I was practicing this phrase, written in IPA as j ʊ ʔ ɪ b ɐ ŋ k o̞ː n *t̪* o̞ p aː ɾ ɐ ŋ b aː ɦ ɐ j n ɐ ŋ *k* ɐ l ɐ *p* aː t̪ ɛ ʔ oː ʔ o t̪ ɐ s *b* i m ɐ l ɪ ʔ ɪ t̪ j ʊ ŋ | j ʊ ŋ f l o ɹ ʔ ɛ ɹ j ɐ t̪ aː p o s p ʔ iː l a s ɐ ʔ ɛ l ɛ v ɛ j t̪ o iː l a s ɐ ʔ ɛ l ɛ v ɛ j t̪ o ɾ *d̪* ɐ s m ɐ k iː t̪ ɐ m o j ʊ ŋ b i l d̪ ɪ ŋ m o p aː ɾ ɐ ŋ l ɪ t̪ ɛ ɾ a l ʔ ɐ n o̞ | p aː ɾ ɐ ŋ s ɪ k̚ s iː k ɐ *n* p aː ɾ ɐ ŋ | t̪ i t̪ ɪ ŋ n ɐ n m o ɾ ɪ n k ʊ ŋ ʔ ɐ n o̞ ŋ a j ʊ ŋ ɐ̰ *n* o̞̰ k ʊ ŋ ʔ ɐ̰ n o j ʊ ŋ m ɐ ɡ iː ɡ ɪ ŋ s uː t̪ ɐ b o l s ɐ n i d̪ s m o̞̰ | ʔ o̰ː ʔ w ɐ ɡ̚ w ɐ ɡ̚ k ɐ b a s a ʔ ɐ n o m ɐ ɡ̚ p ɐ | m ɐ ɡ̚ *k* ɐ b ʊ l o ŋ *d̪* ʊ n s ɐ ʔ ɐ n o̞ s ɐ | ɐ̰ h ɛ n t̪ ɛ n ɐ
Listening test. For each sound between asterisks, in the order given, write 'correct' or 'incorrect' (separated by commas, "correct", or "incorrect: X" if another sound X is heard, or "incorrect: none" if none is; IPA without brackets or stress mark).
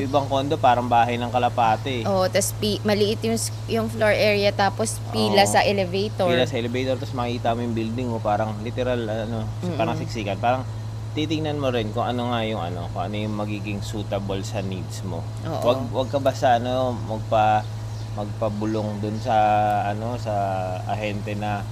incorrect: d̪, correct, correct, incorrect: p, incorrect: t̪, correct, correct, incorrect: p, correct